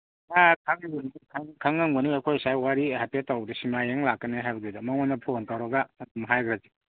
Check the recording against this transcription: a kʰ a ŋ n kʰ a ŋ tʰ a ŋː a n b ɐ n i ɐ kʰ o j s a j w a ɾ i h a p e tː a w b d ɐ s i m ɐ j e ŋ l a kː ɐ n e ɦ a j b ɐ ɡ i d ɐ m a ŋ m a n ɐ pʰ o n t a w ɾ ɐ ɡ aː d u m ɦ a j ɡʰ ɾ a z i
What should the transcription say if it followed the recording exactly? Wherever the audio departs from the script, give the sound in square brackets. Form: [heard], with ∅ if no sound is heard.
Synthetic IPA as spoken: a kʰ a ŋ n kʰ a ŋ [kʰ] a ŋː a [ŋ] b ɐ n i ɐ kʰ o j s a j w a ɾ i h a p e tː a w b d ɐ s i m [a] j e ŋ l a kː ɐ n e ɦ a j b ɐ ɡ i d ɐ m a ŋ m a n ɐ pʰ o n t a w ɾ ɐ ɡ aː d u m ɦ a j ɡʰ ɾ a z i